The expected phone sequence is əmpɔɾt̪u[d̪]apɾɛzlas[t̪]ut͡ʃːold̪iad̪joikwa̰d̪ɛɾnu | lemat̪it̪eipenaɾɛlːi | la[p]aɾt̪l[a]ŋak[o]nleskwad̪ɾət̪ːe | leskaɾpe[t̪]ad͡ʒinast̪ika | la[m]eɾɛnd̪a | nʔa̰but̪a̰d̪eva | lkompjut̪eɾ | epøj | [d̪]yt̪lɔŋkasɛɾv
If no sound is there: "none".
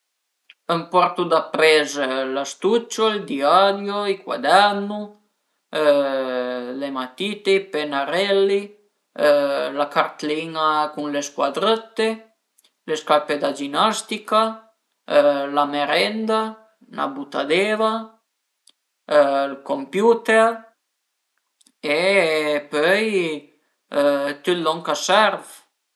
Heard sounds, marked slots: d̪, t̪, k, i, u, d̪, m, t̪

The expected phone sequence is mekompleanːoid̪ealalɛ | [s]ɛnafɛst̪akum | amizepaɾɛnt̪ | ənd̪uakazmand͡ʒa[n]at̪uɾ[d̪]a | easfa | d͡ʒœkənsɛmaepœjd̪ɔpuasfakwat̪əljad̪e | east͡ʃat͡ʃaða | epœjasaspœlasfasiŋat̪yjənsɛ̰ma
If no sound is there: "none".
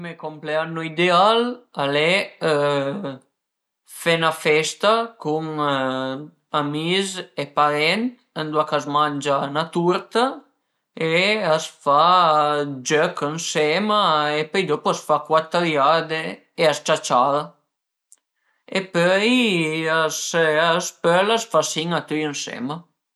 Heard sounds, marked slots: f, n, t̪

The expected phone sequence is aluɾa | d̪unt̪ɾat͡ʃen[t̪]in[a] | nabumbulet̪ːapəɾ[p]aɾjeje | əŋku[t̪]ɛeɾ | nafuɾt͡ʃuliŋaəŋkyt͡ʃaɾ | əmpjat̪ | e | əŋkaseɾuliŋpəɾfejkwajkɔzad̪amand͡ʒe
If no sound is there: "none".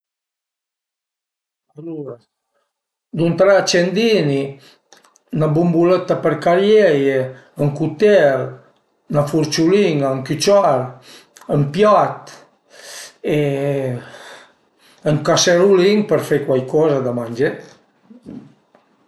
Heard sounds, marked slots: d̪, i, k, t̪

